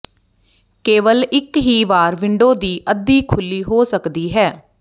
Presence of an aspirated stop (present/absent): present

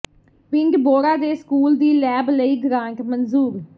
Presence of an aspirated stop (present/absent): absent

